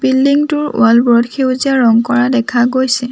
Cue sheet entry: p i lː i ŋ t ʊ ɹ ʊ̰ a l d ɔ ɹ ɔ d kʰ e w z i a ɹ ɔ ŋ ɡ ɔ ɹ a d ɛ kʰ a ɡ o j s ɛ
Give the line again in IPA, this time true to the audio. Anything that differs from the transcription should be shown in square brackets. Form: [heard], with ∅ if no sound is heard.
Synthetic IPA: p i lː i ŋ t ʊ ɹ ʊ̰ a l [b] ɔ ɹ ɔ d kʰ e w z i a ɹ ɔ ŋ [k] ɔ ɹ a d ɛ kʰ a ɡ o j s ɛ